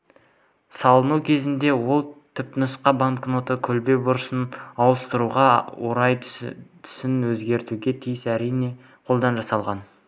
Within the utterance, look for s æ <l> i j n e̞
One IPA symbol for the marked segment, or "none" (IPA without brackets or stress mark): ɾ